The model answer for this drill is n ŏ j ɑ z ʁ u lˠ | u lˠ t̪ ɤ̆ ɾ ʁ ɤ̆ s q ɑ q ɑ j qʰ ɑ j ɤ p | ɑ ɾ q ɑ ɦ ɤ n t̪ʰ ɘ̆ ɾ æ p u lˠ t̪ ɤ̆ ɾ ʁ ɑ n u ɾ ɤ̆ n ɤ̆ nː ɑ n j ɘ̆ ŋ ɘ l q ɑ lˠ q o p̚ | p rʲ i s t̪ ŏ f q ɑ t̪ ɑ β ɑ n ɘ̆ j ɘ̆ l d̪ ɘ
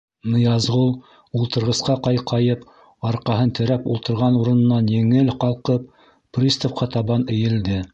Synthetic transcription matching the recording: n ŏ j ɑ z ʁ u lˠ | u lˠ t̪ ɤ̆ ɾ ʁ ɤ̆ s q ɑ q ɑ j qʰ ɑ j ɤ p | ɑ ɾ q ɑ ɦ ɤ n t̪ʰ ɘ̆ ɾ æ p u lˠ t̪ ɤ̆ ɾ ʁ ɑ n u ɾ ɤ̆ n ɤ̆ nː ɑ n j ɘ̆ ŋ ɘ l q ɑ lˠ q ɤ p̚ | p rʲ i s t̪ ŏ f q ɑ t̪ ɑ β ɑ n ɘ̆ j ɘ̆ l d̪ ɘ

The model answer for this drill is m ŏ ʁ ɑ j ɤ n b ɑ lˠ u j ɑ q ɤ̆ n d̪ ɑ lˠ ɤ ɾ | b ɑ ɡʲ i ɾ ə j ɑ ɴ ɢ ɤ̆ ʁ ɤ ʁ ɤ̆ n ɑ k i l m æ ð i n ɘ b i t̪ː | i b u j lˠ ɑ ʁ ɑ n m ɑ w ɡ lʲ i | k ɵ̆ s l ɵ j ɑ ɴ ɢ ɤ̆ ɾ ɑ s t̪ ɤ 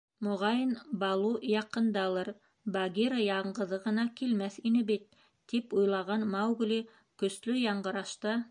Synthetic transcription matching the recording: m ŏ ʁ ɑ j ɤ n b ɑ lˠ u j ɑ q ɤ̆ n d̪ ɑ lˠ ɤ ɾ | b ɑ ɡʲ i ɾ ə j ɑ ɴ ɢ ɤ̆ ð ɤ ʁ ɤ̆ n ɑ k i l m æ θ i n ɘ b i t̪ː | i p u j lˠ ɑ ʁ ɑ n m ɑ w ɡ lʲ i | k ɵ̆ s l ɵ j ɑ ɴ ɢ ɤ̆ ɾ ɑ ʃ t̪ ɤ

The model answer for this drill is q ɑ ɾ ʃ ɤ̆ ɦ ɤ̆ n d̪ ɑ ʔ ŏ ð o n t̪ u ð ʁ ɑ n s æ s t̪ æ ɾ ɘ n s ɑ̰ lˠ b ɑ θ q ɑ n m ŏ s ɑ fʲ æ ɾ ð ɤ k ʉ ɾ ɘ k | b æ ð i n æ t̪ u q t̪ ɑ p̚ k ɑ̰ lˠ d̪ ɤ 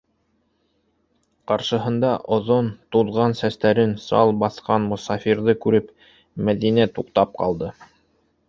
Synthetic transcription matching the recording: q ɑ ɾ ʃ ɤ̆ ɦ ɤ̆ n d̪ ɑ ʔ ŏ ð o n t̪ u ð ʁ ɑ n s æ s t̪ æ ɾ ɘ n s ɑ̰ lˠ b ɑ θ q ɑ n m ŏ s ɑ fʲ i ɾ ð ɤ k ʉ ɾ ɘ p | m æ ð i n æ t̪ u q t̪ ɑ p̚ q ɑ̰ lˠ d̪ ɤ

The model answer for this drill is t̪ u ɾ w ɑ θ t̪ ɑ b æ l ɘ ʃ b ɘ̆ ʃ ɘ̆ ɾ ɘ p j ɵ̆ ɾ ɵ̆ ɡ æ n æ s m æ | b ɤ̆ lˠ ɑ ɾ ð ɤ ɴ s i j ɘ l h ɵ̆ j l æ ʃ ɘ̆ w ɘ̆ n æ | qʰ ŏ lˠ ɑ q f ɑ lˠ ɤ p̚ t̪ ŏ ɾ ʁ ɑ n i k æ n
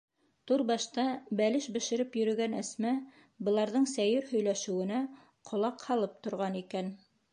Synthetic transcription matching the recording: t̪ u ɾ b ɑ ʃ t̪ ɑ b æ l ɘ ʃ b ɘ̆ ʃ ɘ̆ ɾ ɘ p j ɵ̆ ɾ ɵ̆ ɡ æ n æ s m æ | b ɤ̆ lˠ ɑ ɾ ð ɤ ɴ s æ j ɘ ɾ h ɵ̆ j l æ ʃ ɘ̆ w ɘ̆ n æ | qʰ ŏ lˠ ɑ q h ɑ lˠ ɤ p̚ t̪ ŏ ɾ ʁ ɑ n i k æ n

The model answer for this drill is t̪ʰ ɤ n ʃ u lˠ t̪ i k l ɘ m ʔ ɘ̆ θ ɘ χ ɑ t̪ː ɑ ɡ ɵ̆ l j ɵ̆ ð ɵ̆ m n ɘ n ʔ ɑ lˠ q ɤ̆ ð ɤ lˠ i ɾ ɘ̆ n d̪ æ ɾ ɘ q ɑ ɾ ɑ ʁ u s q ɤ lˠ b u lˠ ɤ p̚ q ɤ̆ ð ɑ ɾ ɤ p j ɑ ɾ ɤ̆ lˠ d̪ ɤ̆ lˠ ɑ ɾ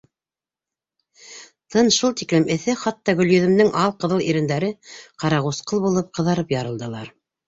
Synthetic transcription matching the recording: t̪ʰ ɤ n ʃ u lˠ t̪ i k l ɘ m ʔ ɘ̆ θ ɘ χ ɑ t̪ː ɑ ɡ ɵ̆ l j ɵ̆ ð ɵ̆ m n ɘ ŋ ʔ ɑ lˠ q ɤ̆ ð ɤ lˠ i ɾ ɘ̆ n d̪ æ ɾ ɘ q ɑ ɾ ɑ ʁ u s q ɤ lˠ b u lˠ ɤ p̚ q ɤ̆ ð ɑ ɾ ɤ p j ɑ ɾ ɤ̆ lˠ d̪ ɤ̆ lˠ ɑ ɾ

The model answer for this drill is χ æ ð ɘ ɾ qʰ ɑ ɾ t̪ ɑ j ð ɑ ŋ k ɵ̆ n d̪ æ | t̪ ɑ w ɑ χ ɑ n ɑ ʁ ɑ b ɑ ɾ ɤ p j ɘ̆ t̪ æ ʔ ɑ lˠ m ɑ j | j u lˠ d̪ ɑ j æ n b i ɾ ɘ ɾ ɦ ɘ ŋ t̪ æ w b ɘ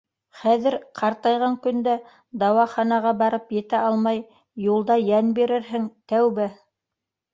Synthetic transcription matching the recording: χ æ ð ɘ ɾ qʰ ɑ ɾ t̪ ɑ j ʁ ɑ ŋ k ɵ̆ n d̪ æ | d̪ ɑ w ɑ χ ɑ n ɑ ʁ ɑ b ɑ ɾ ɤ p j ɘ̆ t̪ æ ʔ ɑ lˠ m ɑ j | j u lˠ d̪ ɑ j æ n b i ɾ ɘ ɾ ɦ ɘ ŋ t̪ æ w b ɘ

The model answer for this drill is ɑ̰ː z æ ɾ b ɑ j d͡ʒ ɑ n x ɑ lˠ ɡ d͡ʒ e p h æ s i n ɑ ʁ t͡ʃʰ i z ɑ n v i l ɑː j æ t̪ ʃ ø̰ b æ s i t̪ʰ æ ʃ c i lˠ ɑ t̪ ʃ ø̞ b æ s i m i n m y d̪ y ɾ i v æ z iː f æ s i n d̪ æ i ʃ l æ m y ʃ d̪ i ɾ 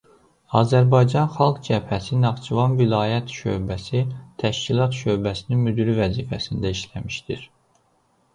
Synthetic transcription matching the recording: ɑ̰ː z æ ɾ b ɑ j d͡ʒ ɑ n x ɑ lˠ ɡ d͡ʒ æ p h æ s i n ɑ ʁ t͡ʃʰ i v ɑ n v i l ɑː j æ t̪ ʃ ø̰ b æ s i t̪ʰ æ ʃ c i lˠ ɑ t̪ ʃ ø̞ b æ s i n i n m y d̪ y ɾ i v æ z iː f æ s i n d̪ æ i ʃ l æ m i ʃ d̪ i ɾ

